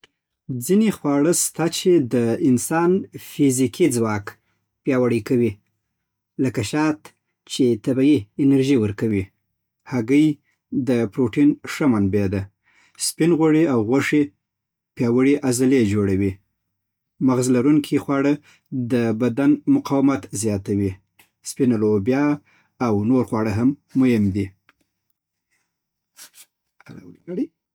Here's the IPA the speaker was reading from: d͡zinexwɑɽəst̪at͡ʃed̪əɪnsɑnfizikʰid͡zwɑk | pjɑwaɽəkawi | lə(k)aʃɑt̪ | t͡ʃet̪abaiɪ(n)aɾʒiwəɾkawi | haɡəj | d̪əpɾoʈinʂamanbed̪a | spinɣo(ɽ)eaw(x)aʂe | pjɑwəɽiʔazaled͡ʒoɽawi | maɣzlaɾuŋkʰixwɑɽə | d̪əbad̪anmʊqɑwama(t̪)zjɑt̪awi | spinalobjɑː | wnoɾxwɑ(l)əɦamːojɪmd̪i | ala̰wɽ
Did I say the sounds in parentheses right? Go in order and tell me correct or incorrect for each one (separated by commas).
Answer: correct, correct, correct, incorrect, correct, incorrect